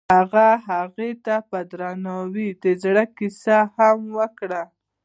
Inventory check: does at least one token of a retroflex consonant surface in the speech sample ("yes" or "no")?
yes